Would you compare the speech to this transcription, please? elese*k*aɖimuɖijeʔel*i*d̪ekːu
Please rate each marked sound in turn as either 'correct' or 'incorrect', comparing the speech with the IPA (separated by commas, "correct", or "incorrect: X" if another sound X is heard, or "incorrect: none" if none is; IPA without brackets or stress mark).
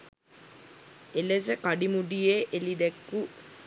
correct, correct